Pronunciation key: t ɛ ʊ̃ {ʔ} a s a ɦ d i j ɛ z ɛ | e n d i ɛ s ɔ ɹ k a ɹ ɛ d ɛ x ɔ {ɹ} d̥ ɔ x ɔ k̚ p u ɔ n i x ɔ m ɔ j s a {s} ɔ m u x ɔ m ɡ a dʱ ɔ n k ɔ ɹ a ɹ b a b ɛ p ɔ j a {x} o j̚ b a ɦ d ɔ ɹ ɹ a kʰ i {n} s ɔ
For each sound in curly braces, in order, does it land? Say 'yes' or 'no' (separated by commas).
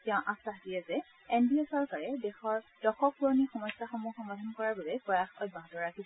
yes, yes, no, yes, no